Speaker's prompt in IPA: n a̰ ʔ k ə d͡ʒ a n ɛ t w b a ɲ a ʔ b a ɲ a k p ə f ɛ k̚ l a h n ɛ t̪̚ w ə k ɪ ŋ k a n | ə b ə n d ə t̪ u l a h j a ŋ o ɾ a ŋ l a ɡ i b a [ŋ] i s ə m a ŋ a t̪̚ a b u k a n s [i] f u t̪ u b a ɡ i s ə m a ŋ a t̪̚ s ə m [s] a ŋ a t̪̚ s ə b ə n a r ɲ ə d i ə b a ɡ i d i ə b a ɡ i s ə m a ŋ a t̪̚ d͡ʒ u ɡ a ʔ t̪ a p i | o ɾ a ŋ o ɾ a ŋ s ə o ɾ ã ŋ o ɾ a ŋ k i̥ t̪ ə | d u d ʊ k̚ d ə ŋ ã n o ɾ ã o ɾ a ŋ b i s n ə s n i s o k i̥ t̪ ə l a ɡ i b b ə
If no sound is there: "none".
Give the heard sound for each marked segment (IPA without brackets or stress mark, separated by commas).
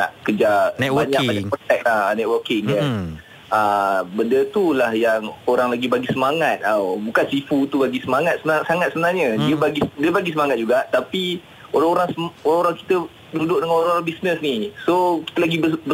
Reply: ɡ, i, s